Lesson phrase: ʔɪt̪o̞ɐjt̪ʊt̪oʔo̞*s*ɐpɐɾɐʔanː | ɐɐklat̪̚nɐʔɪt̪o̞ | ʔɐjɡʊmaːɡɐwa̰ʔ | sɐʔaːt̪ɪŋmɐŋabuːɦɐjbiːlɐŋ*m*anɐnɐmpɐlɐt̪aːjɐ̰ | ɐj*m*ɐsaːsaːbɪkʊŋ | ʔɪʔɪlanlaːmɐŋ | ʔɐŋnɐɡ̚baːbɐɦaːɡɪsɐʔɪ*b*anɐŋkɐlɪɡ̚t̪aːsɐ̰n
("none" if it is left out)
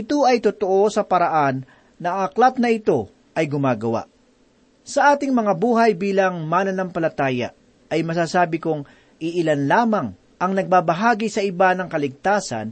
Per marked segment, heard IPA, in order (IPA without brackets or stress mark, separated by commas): s, m, m, b